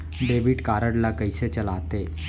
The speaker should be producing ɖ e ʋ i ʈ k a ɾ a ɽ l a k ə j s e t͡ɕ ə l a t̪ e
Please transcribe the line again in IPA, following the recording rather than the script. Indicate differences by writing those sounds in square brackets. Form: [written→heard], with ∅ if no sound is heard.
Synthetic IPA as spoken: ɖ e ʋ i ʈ k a ɾ [a→ə] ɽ l a k ə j s e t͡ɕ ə l a t̪ e